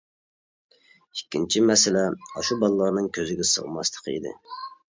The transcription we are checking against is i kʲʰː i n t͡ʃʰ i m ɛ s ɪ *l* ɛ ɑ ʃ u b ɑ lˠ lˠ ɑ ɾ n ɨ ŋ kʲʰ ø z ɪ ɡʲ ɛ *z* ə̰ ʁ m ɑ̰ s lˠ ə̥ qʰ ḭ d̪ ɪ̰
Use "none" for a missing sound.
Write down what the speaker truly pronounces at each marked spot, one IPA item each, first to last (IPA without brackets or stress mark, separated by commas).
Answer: l, s